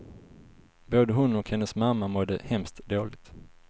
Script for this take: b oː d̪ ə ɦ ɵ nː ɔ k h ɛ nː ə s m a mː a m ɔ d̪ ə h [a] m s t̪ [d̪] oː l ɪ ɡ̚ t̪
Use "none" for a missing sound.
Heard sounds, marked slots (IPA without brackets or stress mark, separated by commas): ɛ, d̪